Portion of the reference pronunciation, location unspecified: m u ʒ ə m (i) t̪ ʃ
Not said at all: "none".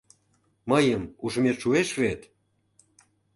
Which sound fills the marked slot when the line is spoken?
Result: e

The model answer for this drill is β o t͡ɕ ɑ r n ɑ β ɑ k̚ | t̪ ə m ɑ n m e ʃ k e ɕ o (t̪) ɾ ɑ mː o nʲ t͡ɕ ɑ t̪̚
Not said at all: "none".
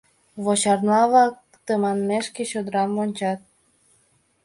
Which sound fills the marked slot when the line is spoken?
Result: d̪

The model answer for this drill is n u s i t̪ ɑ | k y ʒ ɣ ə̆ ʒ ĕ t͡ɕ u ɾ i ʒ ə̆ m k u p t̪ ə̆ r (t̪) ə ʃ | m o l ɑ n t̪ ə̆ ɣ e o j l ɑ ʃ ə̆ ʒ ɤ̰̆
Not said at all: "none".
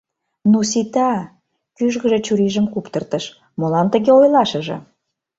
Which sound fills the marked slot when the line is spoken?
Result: t̪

